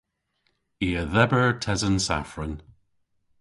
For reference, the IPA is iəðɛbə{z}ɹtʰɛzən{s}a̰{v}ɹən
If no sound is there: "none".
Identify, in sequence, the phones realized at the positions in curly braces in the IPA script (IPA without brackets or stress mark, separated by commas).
none, s, f